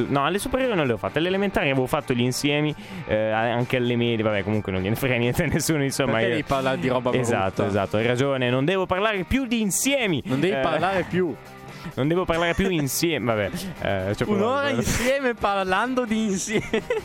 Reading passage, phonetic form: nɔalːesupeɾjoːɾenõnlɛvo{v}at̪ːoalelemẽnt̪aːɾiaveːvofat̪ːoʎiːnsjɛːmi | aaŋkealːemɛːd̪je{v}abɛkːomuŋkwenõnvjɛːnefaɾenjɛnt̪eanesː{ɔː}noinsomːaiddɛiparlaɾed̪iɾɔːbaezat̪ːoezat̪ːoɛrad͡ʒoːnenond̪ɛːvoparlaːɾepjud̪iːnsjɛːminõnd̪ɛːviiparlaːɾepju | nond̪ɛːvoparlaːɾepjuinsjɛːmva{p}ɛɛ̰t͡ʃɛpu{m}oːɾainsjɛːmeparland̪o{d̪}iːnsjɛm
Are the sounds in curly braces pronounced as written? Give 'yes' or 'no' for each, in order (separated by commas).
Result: no, yes, no, no, no, yes